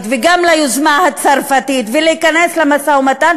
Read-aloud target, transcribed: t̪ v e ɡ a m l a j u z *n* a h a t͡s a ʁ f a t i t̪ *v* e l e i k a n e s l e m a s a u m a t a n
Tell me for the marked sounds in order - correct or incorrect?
incorrect: m, correct

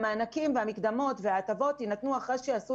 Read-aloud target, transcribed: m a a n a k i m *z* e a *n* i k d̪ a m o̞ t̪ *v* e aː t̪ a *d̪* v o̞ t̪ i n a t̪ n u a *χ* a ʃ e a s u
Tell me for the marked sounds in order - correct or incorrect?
incorrect: v, incorrect: m, correct, incorrect: none, correct

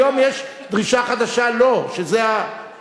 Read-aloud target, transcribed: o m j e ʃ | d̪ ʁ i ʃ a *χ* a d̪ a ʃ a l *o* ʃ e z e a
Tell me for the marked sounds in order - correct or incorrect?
correct, correct

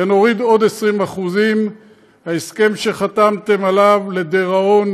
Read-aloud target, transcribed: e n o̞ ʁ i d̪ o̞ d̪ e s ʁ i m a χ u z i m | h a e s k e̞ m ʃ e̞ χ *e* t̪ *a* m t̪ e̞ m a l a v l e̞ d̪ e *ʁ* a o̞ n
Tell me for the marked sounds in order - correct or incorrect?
incorrect: a, correct, correct

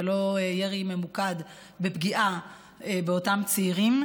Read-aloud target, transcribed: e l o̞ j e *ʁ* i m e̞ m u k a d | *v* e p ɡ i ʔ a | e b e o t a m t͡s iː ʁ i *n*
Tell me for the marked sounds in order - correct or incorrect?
correct, incorrect: b, incorrect: m

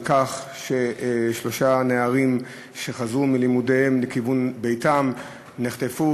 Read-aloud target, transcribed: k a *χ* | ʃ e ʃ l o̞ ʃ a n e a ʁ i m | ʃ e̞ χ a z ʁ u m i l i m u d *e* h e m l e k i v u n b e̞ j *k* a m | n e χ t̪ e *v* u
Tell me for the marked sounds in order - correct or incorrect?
correct, correct, incorrect: t, incorrect: f

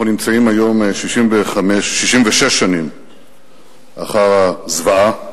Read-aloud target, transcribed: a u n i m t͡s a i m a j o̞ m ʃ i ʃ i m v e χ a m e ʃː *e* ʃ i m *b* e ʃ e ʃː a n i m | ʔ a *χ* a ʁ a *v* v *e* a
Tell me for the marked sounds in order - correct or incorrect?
incorrect: i, incorrect: v, correct, incorrect: z, incorrect: a

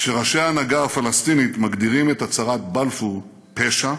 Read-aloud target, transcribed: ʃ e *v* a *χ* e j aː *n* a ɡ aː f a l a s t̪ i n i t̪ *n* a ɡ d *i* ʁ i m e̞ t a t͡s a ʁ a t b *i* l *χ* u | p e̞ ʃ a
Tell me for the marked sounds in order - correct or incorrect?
incorrect: ʁ, incorrect: ʃ, correct, incorrect: m, correct, incorrect: a, incorrect: f

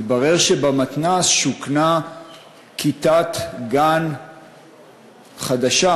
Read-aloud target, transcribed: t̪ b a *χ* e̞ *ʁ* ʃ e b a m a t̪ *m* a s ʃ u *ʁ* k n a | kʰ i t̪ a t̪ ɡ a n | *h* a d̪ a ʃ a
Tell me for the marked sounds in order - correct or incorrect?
incorrect: ʁ, correct, incorrect: n, incorrect: none, incorrect: χ

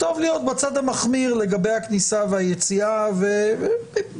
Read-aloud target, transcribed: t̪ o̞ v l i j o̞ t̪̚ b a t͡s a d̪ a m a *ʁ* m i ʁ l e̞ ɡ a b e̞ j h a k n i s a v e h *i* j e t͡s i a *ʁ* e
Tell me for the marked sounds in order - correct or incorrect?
incorrect: χ, incorrect: a, incorrect: v

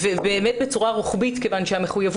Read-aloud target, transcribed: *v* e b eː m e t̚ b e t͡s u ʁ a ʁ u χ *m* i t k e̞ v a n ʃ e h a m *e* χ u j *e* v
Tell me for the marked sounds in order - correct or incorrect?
correct, incorrect: b, correct, incorrect: a

